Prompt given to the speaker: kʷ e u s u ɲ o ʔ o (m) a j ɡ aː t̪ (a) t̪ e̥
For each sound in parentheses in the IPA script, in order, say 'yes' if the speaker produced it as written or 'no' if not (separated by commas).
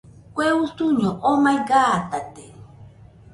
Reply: yes, yes